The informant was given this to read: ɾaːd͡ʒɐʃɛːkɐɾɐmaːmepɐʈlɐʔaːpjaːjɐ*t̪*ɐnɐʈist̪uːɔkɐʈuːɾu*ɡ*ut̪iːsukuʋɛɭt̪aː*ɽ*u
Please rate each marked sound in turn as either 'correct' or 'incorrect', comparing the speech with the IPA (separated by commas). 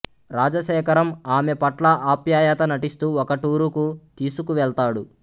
correct, incorrect, correct